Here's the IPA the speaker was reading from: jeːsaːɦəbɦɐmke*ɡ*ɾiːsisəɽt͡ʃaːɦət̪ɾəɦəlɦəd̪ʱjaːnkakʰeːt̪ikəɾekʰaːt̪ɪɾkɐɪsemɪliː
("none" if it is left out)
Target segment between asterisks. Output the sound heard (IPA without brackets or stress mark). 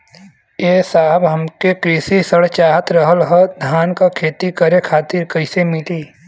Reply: k